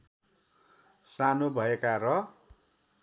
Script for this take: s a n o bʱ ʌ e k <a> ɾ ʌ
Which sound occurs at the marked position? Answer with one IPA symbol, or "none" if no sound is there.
a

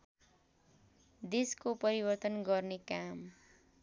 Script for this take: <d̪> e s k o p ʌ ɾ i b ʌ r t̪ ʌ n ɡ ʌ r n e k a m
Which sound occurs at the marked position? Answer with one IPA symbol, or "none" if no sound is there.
d̪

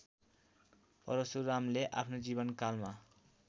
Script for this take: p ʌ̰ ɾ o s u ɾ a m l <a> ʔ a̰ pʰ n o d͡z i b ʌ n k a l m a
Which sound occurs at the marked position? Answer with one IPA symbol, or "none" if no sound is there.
e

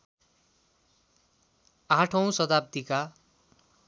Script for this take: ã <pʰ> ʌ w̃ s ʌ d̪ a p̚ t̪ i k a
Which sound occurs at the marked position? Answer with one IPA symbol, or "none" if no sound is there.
ʈʰ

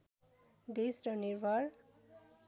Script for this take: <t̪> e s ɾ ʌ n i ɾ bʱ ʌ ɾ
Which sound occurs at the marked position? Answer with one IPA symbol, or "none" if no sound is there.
d̪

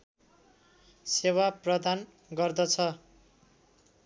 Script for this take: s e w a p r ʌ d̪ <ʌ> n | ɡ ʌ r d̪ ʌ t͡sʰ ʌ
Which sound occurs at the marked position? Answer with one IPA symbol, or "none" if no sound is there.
a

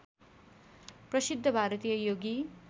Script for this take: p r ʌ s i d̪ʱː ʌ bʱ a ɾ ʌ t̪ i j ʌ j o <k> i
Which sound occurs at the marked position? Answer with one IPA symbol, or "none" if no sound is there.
ɡ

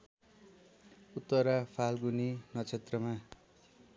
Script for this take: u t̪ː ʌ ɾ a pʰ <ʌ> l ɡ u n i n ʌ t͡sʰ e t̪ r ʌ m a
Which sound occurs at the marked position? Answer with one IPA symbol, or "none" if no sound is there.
a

